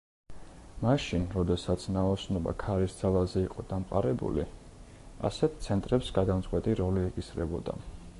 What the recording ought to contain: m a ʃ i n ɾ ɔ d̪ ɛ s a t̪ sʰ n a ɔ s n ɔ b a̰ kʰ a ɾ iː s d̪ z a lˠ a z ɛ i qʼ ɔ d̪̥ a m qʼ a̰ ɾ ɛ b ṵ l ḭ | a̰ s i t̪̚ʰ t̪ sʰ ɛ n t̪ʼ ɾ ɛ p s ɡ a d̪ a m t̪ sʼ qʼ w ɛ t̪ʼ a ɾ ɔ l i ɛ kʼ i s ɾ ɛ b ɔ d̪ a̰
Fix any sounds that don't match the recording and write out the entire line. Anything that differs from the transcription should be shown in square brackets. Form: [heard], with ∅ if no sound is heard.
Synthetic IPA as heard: m a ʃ i n ɾ ɔ d̪ ɛ s a t̪ sʰ n a ɔ s n ɔ b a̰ kʰ a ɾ [i] s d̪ z a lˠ a z ɛ i qʼ ɔ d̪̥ a m qʼ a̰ ɾ ɛ b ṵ l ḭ | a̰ s [ɛ] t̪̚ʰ t̪ sʰ ɛ n t̪ʼ ɾ ɛ p s ɡ a d̪ a m t̪ sʼ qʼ w ɛ t̪ʼ [i] ɾ ɔ l i ɛ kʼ i s ɾ ɛ b ɔ d̪ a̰